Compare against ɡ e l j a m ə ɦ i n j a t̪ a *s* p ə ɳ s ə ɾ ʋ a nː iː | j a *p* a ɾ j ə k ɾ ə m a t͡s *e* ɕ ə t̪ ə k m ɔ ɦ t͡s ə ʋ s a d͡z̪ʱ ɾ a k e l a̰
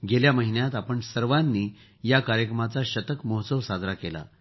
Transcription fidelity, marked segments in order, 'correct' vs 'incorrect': incorrect: none, incorrect: k, incorrect: a

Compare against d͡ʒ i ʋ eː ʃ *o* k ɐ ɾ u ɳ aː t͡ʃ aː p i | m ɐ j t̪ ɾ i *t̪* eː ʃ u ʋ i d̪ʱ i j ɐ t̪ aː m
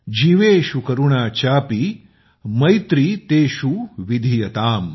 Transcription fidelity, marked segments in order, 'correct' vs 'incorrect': incorrect: u, correct

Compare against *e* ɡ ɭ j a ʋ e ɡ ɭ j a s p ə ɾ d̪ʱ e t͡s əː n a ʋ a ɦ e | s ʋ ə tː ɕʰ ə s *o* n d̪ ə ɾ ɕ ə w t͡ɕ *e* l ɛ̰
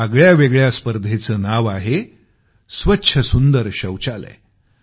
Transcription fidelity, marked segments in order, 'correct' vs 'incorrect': incorrect: a, incorrect: u, incorrect: a

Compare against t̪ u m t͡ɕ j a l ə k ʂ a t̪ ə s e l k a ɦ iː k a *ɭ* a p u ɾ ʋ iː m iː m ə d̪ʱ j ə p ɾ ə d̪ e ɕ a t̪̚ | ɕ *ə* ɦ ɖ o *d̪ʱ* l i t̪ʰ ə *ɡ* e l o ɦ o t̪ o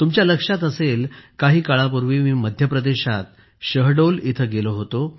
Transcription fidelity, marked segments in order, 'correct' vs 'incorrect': correct, correct, incorrect: none, correct

